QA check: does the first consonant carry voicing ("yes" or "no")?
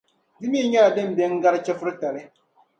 yes